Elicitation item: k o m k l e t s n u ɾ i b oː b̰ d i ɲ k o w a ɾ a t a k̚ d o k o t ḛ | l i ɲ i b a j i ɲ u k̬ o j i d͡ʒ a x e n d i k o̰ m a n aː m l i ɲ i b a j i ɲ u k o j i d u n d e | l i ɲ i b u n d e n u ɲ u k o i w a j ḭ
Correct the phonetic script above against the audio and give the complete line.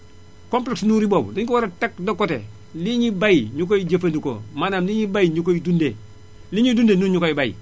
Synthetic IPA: k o m p l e k s n u ɾ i b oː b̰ d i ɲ k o w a ɾ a t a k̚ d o k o t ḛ | l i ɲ i b a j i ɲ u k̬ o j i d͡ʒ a f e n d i k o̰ m a n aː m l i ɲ i b a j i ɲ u k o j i d u n d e | l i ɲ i d u n d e n u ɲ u k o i b a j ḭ